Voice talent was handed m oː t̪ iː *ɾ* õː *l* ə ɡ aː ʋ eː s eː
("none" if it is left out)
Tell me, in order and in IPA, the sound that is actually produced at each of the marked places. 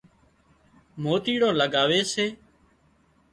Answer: ɽ, l

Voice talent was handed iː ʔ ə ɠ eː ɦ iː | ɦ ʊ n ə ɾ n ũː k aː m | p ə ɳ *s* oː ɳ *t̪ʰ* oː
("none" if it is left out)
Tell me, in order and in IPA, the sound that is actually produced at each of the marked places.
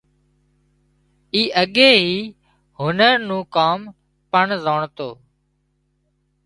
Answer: z, t̪

